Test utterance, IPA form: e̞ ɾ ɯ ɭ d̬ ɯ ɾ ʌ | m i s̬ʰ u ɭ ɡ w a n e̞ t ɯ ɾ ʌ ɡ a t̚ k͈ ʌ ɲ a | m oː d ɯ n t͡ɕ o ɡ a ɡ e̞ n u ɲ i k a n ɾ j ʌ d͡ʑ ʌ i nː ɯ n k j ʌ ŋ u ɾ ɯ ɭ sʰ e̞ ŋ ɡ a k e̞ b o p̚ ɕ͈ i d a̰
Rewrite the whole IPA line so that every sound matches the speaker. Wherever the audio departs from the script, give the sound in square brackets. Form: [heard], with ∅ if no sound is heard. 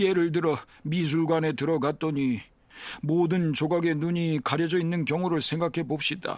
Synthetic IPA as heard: e̞ ɾ ɯ ɭ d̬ ɯ ɾ ʌ | m i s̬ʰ u ɭ ɡ w a n e̞ t ɯ ɾ ʌ ɡ a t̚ [t͈] ʌ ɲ [i] | m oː d ɯ n t͡ɕ o ɡ a ɡ e̞ n u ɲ i k a [∅] ɾ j ʌ d͡ʑ ʌ i nː ɯ n k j ʌ ŋ u ɾ ɯ ɭ sʰ e̞ ŋ ɡ a [kʰ] e̞ b o p̚ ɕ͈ i d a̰